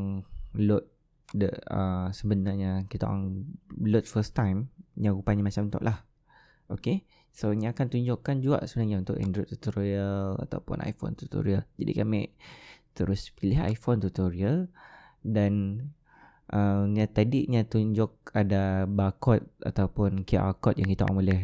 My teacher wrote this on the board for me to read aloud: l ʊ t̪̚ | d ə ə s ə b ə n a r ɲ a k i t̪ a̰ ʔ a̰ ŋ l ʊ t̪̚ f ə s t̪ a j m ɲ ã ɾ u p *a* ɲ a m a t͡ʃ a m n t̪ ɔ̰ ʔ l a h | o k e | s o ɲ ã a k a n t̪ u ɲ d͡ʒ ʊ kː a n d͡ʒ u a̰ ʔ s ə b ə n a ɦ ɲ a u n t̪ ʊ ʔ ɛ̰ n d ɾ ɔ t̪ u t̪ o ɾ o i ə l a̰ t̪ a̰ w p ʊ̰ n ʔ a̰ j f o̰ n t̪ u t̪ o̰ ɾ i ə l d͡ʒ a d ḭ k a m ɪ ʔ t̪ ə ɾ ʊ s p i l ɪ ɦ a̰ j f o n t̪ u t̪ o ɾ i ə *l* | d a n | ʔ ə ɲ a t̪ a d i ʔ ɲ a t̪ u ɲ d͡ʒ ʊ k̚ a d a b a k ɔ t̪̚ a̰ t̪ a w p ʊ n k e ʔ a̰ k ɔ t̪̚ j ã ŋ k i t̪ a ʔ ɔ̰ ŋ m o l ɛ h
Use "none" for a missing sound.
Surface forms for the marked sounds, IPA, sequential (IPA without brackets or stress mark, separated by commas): a, l